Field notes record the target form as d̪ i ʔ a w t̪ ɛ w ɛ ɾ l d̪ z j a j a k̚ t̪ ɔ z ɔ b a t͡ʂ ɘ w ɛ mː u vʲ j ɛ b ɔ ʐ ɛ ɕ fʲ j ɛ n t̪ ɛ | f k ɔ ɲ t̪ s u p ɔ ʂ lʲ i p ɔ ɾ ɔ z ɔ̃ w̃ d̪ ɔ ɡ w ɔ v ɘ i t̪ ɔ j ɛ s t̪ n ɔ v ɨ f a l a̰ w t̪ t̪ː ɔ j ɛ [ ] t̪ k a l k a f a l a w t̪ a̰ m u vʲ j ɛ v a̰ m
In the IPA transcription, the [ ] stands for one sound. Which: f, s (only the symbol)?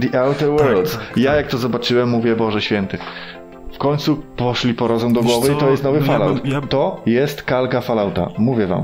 s